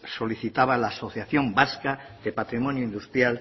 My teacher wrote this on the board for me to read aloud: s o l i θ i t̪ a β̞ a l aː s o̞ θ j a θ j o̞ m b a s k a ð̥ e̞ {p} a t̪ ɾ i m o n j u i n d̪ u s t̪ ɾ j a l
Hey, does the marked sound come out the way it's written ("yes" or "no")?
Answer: yes